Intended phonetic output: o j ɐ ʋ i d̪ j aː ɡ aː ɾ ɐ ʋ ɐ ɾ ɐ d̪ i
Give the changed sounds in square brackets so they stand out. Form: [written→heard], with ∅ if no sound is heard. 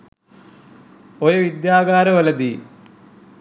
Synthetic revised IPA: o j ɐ ʋ i d̪ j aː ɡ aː ɾ ɐ ʋ ɐ [ɾ→l] ɐ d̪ i